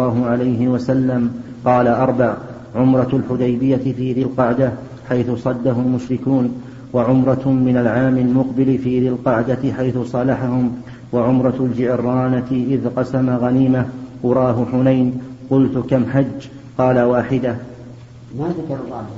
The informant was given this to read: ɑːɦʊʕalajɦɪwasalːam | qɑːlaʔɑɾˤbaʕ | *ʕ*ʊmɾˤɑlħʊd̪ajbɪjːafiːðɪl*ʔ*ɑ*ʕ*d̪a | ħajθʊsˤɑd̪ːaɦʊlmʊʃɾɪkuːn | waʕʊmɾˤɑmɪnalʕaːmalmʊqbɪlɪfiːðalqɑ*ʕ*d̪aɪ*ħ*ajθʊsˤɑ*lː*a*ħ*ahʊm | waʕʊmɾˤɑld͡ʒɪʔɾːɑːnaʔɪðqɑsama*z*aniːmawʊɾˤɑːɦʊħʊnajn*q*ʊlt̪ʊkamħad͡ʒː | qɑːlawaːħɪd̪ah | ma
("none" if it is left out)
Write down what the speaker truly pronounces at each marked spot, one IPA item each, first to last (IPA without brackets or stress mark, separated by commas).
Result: ʕ, q, ʕ, ʕ, ħ, l, ħ, ɣ, q